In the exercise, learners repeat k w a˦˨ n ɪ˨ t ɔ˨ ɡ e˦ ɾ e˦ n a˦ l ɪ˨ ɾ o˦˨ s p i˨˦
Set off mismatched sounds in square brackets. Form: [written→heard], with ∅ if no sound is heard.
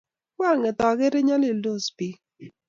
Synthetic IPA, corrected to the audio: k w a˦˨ [n→ŋ] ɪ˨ t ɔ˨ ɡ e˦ ɾ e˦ [n→ɲ] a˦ l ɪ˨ [ɾ→l] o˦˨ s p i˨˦